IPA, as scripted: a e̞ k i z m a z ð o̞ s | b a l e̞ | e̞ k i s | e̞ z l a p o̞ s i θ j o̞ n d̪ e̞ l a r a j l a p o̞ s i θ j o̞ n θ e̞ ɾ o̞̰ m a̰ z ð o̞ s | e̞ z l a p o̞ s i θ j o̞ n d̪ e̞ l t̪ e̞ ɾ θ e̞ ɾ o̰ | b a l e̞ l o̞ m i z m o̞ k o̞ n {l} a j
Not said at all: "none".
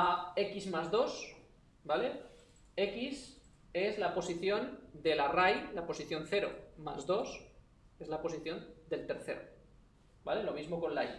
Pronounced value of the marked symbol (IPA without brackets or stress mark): l